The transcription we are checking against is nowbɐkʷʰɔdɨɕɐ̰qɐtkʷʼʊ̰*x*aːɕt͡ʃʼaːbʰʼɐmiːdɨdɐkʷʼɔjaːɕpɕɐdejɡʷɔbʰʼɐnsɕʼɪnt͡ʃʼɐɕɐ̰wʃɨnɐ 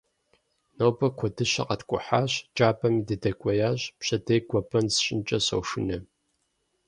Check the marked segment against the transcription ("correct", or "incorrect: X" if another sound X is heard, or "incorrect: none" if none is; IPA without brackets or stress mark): incorrect: ħ